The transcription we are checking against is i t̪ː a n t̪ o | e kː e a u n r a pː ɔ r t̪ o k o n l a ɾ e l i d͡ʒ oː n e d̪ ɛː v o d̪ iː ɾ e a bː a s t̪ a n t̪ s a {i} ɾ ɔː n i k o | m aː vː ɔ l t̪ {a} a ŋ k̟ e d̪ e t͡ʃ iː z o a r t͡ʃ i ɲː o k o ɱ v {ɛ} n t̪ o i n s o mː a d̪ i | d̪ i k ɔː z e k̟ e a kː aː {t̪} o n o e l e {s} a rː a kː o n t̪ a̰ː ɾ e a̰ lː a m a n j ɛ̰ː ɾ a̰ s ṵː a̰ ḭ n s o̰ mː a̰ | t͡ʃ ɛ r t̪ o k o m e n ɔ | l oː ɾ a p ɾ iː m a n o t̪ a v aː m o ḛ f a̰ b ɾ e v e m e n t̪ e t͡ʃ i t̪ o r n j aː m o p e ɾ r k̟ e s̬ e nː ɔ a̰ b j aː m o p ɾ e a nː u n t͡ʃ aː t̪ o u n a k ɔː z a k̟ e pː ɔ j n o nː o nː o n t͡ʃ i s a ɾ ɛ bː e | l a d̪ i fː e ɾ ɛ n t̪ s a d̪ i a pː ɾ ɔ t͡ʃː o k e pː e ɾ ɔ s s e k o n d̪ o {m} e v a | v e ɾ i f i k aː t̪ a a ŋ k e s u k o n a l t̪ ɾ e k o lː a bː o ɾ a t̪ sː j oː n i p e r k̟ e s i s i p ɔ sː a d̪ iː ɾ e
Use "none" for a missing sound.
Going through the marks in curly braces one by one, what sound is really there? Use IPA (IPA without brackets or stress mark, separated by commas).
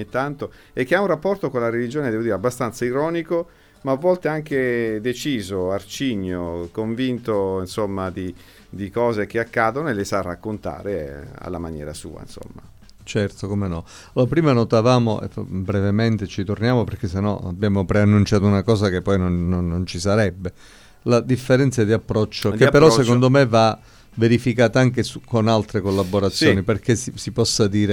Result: i, e, i, d̪, s, m